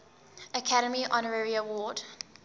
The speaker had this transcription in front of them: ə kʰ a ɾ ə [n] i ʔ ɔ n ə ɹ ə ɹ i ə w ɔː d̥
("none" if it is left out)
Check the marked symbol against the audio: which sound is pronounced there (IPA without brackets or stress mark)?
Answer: m